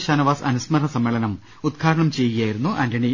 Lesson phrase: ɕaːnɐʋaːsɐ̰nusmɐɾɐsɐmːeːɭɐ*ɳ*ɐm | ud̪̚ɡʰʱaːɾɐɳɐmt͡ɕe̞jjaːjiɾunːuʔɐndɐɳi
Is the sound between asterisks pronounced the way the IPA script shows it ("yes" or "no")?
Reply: no